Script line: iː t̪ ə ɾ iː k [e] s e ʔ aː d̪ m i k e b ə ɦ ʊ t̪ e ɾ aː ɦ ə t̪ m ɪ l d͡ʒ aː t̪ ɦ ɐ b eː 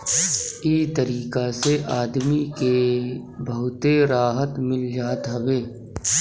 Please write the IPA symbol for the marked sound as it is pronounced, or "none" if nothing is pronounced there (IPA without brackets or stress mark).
a